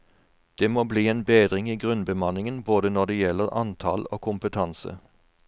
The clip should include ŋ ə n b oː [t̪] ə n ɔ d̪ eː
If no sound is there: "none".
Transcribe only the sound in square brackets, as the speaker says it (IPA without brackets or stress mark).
d̪